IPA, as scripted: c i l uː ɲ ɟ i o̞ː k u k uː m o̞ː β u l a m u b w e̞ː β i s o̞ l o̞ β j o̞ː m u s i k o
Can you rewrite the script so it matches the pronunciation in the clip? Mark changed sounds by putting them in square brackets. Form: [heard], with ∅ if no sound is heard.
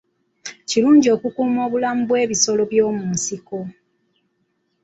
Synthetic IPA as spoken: c i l uː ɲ ɟ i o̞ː k u k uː m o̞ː β u l a m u b w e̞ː β i s o̞ l o̞ β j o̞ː m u s i k o